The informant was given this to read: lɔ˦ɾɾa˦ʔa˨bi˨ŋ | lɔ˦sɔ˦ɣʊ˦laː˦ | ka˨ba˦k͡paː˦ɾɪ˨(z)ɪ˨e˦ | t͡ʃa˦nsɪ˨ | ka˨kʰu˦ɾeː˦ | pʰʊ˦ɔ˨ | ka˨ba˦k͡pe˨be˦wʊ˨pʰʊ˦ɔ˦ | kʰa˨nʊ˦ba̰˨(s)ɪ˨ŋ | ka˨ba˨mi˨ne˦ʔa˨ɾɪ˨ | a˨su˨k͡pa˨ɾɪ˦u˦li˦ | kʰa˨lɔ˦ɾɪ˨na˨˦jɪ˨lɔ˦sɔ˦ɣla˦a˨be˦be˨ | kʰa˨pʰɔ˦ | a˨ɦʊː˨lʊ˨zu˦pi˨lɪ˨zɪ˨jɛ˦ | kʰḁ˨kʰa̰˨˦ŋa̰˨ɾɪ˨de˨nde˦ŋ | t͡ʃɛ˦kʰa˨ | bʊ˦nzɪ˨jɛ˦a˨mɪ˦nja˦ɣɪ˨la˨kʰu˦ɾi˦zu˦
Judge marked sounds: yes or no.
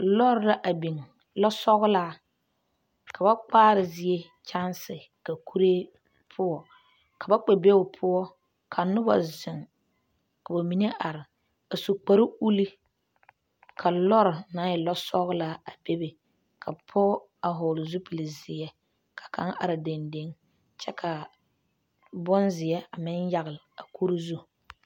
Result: yes, no

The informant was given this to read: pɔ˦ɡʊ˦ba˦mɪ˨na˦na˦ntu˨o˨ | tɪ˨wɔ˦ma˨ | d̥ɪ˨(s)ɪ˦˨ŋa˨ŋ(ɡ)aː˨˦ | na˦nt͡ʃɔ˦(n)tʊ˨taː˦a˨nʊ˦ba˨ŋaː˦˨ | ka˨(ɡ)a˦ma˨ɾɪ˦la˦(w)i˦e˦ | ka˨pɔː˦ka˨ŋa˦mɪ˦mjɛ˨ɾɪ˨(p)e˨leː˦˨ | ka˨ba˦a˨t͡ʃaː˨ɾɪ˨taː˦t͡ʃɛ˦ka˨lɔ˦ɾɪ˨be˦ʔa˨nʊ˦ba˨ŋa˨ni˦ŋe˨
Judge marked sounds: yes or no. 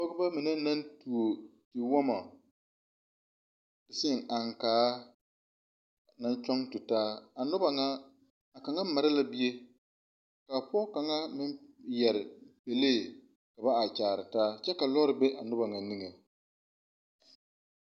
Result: yes, no, no, no, no, yes

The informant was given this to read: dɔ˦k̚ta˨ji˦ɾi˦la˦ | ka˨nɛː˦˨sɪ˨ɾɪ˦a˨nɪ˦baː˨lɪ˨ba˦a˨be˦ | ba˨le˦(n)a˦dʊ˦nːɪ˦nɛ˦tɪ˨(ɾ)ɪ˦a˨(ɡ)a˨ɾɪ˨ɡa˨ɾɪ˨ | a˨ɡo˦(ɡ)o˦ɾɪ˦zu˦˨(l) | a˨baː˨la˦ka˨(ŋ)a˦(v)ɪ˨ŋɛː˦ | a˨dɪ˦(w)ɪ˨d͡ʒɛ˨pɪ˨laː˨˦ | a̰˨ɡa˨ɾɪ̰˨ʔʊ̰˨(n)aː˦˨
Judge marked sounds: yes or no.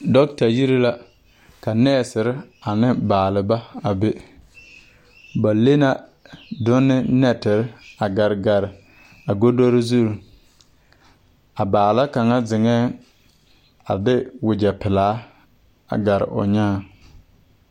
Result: yes, yes, yes, no, no, yes, no, yes, no

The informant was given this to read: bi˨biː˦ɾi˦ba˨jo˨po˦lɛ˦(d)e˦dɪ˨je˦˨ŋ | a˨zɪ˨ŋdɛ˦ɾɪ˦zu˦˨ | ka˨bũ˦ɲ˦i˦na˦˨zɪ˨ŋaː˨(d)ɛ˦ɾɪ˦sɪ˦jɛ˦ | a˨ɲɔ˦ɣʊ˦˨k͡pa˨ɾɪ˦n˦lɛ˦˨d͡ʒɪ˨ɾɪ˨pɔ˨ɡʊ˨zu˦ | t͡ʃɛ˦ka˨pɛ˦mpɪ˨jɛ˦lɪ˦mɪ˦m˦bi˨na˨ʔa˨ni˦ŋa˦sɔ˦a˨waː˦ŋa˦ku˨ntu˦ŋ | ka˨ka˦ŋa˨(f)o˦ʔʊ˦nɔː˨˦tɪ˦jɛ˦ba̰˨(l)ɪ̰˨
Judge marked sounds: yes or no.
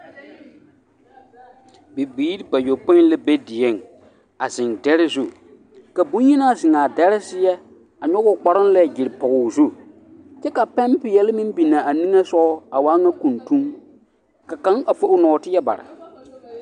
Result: no, yes, yes, no

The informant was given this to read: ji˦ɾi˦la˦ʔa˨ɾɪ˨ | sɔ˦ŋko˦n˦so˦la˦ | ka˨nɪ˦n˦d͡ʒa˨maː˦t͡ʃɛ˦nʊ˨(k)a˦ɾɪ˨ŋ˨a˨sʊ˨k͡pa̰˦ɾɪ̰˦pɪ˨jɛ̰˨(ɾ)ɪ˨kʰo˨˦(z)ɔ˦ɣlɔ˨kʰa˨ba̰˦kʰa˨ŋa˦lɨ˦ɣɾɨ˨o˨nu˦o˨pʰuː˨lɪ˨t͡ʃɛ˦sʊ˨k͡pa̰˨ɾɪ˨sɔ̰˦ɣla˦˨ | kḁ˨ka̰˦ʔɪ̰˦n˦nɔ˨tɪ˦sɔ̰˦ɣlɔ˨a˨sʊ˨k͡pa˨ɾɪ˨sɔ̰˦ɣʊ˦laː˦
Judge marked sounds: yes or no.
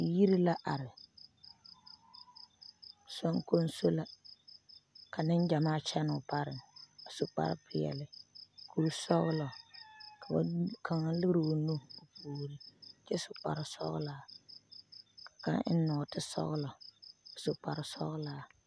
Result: no, no, no

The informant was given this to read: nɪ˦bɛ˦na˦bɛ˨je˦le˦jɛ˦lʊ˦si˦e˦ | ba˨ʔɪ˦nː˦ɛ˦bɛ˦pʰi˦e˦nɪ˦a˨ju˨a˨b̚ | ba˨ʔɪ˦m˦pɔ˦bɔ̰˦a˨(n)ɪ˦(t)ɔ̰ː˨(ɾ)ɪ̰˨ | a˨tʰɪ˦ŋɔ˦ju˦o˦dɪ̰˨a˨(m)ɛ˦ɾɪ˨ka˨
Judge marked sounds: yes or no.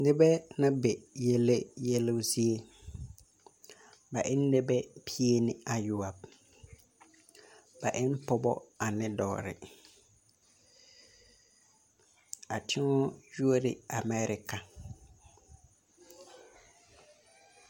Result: yes, no, yes, yes

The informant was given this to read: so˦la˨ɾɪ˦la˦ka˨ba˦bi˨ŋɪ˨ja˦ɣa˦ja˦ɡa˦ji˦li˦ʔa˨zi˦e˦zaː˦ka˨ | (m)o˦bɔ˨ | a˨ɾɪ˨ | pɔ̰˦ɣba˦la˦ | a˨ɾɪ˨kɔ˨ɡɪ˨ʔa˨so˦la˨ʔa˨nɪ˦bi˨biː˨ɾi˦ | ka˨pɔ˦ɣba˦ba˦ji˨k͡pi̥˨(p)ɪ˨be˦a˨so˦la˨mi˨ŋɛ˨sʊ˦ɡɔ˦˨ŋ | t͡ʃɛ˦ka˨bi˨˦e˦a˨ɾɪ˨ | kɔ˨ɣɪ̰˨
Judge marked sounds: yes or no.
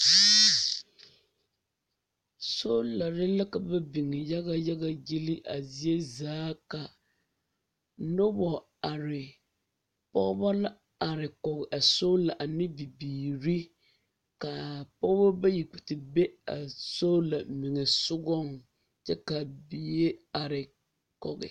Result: no, no

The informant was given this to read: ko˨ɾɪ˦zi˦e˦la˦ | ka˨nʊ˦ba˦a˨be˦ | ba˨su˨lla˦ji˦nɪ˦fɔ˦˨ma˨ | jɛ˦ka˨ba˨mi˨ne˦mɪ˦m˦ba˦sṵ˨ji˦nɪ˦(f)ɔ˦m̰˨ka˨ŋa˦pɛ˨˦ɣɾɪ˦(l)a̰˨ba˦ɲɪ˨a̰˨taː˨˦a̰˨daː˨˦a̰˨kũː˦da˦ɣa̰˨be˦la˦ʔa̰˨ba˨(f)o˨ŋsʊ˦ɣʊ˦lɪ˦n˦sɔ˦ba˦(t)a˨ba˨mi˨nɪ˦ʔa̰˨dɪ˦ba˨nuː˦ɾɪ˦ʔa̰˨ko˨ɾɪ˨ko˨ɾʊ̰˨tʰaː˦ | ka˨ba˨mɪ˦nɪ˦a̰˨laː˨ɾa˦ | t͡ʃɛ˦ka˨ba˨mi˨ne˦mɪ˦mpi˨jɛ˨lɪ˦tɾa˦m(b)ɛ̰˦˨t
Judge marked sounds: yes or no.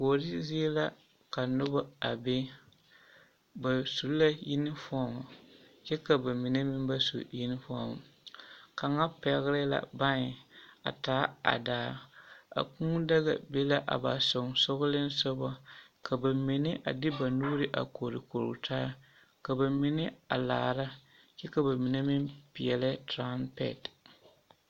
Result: yes, yes, no, no, no

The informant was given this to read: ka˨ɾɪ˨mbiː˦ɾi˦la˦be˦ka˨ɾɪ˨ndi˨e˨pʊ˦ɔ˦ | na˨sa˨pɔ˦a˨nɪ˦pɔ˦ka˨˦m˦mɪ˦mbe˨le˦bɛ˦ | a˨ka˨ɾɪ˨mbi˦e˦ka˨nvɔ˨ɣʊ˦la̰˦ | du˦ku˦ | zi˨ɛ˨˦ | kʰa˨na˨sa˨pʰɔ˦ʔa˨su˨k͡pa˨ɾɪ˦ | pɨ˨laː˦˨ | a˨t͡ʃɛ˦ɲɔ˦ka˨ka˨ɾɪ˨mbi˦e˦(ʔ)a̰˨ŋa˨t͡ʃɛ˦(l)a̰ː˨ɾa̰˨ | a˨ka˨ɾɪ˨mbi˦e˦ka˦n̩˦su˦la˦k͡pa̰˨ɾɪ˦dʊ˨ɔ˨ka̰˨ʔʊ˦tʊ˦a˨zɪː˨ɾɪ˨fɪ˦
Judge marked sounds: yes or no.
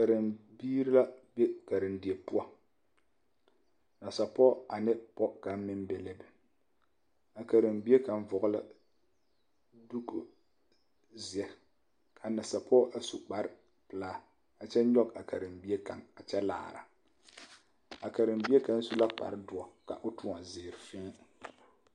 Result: no, yes

